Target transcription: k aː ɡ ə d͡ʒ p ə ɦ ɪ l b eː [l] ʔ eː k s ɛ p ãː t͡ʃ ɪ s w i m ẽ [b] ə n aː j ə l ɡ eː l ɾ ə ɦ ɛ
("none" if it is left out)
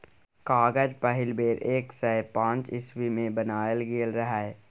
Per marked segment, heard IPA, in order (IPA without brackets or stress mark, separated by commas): ɾ, b